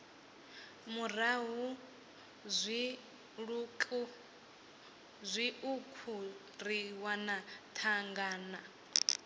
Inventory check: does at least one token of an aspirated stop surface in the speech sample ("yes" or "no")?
yes